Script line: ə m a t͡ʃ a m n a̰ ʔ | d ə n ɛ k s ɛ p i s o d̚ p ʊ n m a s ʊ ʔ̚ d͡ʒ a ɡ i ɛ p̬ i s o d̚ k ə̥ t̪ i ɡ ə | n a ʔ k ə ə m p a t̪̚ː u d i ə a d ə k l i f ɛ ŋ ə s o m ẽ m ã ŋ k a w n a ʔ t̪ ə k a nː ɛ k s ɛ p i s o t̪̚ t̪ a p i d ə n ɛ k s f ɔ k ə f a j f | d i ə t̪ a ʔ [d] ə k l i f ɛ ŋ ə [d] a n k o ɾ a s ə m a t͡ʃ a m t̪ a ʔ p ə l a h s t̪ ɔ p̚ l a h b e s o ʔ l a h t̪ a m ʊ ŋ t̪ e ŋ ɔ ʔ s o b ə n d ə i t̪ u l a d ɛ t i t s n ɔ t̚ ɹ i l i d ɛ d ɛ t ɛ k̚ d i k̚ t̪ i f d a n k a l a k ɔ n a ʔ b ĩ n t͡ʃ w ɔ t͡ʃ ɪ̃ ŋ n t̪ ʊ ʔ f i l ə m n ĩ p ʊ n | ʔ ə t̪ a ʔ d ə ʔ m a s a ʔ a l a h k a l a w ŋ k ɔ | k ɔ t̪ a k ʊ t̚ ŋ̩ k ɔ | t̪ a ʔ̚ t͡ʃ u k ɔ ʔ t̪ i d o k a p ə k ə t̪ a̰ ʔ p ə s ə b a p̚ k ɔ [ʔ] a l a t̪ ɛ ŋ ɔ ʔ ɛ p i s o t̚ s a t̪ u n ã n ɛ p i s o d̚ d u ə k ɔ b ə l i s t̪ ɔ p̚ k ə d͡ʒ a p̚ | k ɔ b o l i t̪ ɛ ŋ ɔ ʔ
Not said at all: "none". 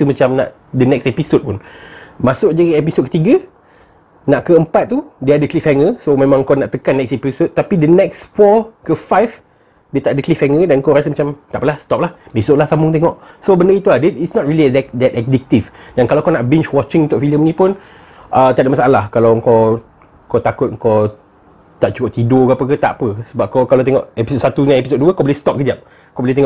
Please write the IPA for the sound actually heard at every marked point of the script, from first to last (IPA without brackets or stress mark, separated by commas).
d, d, k